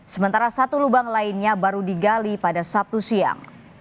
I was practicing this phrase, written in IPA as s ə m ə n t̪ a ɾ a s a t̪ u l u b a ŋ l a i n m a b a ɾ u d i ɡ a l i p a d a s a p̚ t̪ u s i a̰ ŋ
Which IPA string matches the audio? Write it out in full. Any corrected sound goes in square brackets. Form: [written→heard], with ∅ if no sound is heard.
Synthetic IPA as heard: s ə m ə n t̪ a ɾ a s a t̪ u l u b a ŋ l a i n [m→ɲ] a b a ɾ u d i ɡ a l i p a d a s a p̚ t̪ u s i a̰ ŋ